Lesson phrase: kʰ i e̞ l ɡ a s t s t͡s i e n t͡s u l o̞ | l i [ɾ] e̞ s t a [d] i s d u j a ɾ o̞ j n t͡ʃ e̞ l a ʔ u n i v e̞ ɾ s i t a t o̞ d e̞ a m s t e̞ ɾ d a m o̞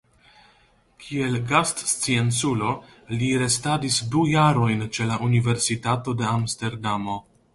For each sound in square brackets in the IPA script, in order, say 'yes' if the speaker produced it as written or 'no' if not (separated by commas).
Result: yes, yes